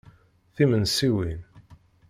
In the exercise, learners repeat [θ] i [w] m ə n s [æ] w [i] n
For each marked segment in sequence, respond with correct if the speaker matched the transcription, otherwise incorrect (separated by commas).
correct, incorrect, incorrect, correct